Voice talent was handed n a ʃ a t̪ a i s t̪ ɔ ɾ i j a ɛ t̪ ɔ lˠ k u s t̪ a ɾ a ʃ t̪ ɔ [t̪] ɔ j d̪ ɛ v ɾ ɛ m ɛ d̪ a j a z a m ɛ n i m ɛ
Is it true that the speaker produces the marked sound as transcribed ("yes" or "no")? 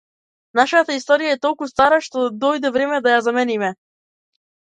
no